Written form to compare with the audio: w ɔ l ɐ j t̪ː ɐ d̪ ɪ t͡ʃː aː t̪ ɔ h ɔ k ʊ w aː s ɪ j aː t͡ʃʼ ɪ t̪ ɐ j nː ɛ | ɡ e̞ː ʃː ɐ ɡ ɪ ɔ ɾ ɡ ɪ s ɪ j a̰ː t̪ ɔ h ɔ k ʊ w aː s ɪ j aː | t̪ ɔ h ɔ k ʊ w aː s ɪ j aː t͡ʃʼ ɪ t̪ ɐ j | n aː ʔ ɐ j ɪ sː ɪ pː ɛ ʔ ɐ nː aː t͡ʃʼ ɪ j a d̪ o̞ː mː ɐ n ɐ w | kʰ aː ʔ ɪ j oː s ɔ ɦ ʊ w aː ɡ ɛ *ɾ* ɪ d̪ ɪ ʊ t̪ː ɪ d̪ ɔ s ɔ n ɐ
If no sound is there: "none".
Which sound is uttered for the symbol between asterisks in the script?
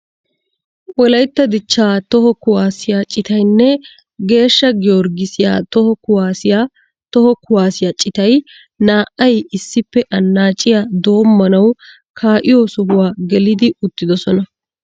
l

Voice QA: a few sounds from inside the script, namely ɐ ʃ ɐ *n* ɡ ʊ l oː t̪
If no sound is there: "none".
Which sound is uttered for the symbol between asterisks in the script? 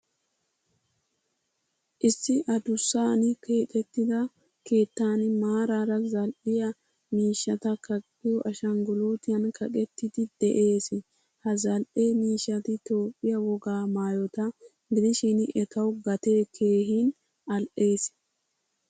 ŋ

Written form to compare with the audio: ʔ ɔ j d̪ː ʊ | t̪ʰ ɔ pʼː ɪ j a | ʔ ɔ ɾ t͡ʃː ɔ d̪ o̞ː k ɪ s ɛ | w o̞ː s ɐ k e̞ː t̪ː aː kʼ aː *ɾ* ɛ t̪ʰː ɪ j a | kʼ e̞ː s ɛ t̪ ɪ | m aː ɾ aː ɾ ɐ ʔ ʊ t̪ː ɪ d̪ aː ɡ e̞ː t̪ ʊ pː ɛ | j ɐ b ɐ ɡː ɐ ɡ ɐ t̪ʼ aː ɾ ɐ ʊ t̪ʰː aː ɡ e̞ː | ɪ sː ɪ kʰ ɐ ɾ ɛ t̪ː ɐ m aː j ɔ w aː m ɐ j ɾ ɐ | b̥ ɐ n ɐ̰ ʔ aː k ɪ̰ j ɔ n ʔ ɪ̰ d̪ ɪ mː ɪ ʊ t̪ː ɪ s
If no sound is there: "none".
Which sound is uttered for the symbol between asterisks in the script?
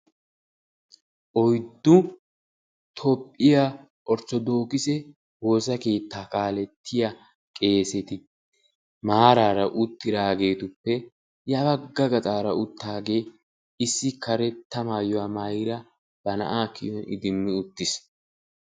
l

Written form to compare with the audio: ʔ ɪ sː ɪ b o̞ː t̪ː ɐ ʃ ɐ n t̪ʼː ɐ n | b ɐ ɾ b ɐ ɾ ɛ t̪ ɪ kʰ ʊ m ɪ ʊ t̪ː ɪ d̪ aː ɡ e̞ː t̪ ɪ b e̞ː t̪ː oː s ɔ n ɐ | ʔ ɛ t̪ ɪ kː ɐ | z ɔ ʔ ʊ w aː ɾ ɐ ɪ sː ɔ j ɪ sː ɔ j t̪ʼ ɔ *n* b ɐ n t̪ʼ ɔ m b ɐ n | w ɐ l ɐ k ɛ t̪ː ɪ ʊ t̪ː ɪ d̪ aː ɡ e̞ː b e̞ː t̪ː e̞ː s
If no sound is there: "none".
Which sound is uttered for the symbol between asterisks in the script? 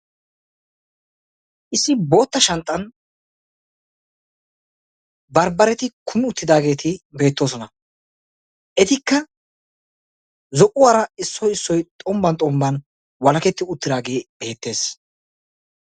m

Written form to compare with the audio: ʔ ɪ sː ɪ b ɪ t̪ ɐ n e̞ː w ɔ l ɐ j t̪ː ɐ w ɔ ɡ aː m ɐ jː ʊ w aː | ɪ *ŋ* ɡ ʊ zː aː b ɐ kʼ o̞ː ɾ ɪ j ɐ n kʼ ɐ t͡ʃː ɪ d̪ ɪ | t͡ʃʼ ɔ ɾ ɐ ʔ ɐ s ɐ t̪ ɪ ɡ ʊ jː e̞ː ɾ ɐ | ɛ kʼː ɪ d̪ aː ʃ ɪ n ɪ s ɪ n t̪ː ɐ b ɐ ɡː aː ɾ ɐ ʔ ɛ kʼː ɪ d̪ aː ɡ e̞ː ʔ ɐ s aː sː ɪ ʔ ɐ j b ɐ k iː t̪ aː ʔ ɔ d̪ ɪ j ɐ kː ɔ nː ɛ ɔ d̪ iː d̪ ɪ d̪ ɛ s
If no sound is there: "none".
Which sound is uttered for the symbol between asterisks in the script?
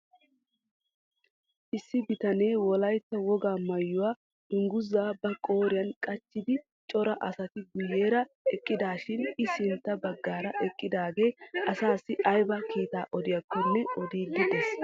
ŋ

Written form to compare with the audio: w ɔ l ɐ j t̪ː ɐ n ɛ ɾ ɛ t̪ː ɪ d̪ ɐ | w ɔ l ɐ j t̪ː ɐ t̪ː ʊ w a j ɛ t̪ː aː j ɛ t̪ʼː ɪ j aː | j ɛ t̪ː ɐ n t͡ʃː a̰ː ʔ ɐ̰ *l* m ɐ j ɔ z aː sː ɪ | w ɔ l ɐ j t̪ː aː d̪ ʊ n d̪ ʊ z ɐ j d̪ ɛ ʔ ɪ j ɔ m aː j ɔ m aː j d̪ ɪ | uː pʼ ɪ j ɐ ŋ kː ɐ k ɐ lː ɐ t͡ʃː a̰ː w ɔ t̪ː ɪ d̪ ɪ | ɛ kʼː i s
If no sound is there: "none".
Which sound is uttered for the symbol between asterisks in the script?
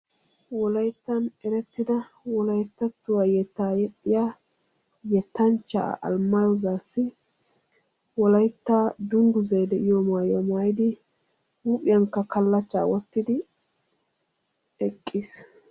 l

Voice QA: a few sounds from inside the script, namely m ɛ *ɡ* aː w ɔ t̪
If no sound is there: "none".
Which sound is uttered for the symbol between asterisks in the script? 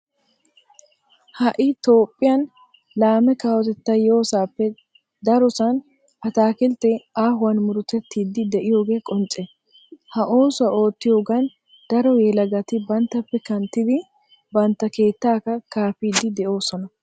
k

